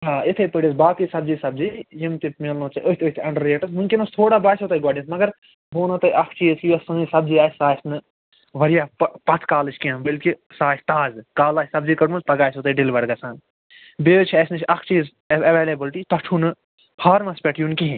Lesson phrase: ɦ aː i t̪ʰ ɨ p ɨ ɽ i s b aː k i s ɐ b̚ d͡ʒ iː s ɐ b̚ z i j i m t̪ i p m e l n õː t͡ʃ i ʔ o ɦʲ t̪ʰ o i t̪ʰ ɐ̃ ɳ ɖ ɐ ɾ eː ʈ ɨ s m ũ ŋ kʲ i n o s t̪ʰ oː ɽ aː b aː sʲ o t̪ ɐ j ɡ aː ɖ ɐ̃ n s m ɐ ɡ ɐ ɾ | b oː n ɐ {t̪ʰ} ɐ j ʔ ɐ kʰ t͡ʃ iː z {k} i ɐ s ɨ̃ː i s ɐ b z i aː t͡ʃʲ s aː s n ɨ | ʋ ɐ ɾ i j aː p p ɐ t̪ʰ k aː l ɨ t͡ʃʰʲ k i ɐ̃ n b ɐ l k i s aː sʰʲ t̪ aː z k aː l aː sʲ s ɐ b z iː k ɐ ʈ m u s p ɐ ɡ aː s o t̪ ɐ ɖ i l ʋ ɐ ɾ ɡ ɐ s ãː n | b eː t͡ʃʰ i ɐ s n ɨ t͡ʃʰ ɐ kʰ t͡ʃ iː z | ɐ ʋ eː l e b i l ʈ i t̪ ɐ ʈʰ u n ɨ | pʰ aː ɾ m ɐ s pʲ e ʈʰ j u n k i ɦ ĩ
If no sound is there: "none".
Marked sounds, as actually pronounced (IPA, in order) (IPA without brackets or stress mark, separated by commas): t̪, k